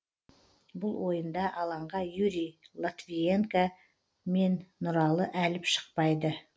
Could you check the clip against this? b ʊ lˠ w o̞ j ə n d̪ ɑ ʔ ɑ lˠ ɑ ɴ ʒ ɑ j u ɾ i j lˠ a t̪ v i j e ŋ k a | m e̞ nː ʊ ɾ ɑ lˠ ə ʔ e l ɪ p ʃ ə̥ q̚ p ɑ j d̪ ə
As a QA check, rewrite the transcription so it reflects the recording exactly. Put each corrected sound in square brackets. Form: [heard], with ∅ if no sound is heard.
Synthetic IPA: b ʊ lˠ w o̞ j ə n d̪ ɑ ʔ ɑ lˠ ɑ ɴ [ʁ] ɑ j u ɾ i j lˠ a t̪ v i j e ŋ k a | m e̞ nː ʊ ɾ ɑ lˠ ə ʔ [æ] l ɪ p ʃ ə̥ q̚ p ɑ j d̪ ə